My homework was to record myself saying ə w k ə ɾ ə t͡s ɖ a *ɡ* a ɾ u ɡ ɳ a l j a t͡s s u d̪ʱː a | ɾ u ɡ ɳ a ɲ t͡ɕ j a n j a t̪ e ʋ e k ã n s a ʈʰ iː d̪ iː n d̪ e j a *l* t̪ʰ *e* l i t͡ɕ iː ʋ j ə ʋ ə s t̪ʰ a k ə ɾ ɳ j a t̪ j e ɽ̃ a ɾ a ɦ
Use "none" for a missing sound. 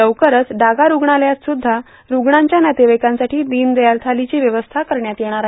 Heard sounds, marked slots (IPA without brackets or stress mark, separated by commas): ɡ, l, a